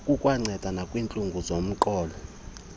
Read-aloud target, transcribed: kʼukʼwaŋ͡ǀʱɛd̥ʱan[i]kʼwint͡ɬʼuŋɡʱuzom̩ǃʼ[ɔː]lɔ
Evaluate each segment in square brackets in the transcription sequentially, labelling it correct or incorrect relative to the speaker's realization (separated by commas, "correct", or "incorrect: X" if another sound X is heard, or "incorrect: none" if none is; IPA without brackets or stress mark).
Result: incorrect: a, correct